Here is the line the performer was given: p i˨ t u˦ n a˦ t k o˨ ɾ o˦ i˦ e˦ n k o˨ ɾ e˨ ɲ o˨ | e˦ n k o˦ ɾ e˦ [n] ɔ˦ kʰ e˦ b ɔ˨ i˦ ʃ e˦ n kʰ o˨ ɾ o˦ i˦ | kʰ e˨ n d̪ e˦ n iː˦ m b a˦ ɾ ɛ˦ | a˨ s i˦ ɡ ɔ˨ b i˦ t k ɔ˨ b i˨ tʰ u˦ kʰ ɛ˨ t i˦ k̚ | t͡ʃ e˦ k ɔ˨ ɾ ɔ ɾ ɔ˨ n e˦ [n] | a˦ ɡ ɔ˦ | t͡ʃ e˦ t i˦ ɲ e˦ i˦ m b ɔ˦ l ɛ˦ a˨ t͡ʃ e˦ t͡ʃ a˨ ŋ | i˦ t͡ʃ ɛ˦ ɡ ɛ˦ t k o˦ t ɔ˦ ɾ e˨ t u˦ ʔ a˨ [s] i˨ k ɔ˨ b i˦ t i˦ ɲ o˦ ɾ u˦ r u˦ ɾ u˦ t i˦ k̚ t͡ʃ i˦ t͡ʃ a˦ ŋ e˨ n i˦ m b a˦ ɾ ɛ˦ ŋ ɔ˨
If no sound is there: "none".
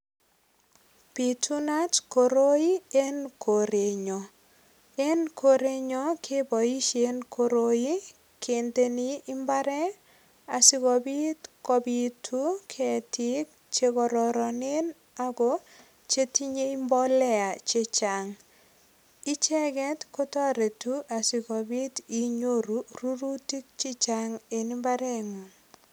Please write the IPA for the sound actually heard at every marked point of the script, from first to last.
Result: ɲ, n, s

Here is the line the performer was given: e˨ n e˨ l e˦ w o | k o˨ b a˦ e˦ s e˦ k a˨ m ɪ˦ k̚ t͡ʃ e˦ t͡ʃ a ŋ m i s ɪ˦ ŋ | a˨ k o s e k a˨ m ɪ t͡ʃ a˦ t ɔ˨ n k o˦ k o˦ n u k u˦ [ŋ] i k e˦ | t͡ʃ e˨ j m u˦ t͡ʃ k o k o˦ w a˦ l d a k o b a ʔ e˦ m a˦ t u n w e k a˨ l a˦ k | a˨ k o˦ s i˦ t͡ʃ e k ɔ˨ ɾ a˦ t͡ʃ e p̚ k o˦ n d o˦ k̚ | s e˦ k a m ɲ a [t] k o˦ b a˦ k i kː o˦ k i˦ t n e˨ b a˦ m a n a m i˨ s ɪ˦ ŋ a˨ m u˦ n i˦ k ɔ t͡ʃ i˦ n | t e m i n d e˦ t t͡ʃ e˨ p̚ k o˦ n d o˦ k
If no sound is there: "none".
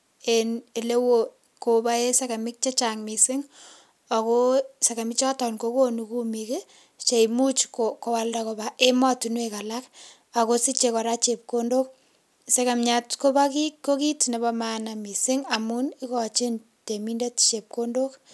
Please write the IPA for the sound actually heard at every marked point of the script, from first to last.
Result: m, t

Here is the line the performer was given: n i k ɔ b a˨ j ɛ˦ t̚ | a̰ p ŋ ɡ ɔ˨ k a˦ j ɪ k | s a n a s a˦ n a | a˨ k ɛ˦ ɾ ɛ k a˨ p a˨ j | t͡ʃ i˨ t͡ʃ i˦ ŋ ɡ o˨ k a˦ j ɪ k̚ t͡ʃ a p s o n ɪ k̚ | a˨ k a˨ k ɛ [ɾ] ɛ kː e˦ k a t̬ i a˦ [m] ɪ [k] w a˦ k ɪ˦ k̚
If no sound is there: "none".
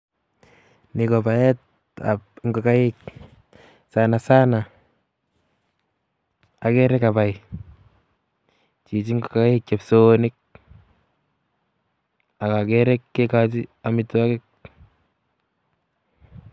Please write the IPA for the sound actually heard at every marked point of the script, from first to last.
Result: ɾ, m, t

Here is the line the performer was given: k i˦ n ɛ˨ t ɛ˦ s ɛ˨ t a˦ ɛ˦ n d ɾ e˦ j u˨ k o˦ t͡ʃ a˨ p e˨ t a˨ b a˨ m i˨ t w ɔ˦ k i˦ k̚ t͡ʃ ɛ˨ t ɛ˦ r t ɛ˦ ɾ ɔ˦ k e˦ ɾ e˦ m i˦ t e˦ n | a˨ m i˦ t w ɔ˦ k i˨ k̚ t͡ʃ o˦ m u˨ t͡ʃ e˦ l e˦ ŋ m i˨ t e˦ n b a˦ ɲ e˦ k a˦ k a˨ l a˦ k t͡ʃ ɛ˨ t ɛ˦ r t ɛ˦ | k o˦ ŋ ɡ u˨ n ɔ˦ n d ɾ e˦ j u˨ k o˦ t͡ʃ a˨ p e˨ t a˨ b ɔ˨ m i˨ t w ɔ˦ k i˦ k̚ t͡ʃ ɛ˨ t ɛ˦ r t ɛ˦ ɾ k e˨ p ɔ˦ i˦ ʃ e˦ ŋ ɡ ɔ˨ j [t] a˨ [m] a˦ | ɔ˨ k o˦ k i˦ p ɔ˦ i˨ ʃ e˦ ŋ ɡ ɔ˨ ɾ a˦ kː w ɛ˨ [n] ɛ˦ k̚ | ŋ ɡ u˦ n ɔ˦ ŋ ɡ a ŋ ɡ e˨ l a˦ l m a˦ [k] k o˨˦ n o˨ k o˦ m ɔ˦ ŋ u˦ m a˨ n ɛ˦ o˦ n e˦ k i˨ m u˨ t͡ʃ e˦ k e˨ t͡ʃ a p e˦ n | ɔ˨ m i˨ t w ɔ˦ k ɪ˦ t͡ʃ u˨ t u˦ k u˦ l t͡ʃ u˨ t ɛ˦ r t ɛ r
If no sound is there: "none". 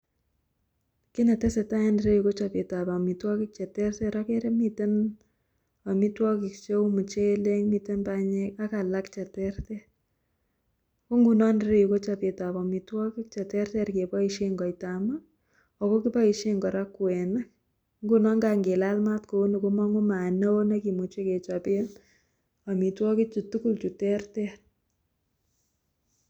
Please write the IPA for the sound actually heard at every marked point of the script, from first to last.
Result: t, m, n, t

